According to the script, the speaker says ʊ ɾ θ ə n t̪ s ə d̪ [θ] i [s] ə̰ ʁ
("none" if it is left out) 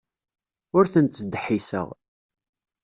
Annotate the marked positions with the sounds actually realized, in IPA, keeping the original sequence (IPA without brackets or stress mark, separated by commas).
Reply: ħ, s